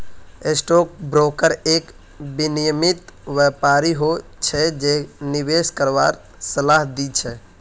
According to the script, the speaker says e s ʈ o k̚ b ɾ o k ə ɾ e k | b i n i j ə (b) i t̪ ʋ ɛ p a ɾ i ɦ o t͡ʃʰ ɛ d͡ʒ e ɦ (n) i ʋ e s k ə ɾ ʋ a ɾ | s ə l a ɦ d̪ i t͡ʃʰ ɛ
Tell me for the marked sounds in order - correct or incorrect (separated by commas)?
incorrect, correct